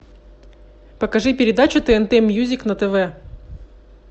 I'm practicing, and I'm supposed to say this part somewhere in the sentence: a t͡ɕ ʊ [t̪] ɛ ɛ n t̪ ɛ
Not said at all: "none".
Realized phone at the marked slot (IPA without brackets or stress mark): t̪